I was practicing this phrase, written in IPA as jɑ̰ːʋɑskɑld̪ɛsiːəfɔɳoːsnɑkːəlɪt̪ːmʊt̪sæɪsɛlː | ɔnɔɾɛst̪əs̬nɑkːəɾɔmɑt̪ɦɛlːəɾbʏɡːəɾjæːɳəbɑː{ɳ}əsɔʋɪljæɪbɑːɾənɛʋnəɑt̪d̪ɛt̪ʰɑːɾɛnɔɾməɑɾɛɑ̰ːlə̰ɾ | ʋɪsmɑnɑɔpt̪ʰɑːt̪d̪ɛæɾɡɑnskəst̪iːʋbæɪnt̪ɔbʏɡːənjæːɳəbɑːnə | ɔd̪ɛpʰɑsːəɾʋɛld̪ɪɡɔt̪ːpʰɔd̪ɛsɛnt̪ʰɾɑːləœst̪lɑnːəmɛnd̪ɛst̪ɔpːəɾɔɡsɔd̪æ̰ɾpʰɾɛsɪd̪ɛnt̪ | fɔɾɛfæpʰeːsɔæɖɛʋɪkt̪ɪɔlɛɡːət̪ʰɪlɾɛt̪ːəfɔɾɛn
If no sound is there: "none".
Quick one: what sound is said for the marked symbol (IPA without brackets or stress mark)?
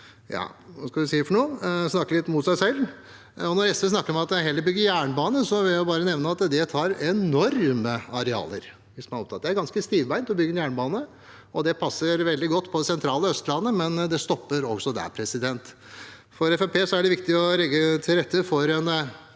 n